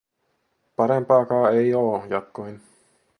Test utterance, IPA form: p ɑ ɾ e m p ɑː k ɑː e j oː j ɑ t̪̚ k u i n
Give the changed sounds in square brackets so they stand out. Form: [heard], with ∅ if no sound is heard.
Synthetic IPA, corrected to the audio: p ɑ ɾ e m p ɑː k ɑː e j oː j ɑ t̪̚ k [o] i n